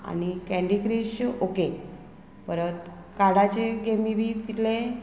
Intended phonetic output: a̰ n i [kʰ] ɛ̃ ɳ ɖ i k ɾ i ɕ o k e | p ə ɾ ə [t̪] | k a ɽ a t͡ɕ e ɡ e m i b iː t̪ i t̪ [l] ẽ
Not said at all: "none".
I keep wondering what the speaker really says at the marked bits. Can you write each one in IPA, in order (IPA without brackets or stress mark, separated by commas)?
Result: k, t̪, l